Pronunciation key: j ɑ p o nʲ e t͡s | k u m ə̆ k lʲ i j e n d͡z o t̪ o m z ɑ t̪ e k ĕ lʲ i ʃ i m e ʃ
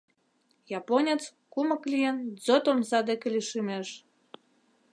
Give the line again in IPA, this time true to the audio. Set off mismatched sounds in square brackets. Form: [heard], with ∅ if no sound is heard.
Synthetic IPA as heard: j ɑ p o nʲ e t͡s | k u m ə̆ k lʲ i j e n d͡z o t̪ o m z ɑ [d̪] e k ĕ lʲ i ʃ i m e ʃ